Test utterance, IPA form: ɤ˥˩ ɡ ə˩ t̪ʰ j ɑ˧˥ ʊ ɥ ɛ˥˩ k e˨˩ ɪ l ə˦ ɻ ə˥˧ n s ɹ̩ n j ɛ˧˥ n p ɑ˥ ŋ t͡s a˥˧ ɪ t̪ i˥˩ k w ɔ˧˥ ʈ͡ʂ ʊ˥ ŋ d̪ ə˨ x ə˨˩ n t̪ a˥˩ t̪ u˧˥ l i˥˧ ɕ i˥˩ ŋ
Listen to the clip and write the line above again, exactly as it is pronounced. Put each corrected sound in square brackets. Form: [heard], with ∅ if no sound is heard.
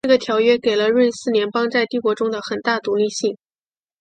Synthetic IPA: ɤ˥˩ ɡ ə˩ t̪ʰ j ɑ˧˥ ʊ ɥ [ɛ˥] k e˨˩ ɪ l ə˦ ɻ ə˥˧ n s ɹ̩ n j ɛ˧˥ n p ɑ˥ ŋ t͡s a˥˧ ɪ t̪ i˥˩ k w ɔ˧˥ ʈ͡ʂ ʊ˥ ŋ d̪ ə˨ x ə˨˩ n t̪ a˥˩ t̪ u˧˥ l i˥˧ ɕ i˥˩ ŋ